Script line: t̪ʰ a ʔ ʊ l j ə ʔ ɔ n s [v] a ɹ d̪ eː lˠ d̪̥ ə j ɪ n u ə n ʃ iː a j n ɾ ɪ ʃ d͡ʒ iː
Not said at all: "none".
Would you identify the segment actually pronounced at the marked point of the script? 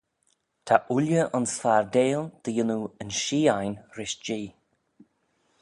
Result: f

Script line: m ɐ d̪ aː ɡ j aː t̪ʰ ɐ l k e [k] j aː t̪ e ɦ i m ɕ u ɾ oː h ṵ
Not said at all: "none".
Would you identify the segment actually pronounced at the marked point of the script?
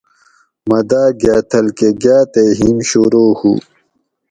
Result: ɡ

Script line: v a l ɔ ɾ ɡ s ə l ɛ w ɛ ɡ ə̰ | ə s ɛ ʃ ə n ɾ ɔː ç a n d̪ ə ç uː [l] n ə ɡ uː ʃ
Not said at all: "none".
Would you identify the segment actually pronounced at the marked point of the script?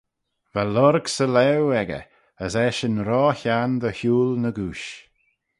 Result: l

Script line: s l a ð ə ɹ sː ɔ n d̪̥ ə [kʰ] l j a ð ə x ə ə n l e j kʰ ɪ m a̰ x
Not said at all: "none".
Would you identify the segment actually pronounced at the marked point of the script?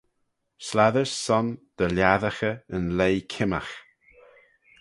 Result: none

